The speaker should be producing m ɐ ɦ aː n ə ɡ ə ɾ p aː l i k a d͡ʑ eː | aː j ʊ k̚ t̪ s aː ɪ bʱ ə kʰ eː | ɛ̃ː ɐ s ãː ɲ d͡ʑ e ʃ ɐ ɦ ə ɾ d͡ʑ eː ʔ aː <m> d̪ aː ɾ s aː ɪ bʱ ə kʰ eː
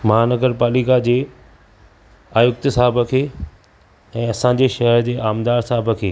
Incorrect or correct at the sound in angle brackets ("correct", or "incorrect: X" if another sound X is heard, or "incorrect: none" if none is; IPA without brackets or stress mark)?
correct